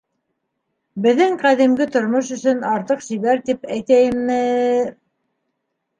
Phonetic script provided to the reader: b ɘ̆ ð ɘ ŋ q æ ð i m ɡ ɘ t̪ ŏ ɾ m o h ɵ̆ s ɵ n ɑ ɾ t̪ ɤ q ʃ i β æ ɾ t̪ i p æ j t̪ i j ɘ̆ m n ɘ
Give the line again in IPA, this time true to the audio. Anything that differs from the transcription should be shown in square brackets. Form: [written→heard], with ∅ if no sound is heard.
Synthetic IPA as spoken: b ɘ̆ ð ɘ ŋ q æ ð i m ɡ ɘ t̪ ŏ ɾ m o [h→ʃ] ɵ̆ s ɵ n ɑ ɾ t̪ ɤ q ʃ i β æ ɾ t̪ i p æ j t̪ [i→æ] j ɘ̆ m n ɘ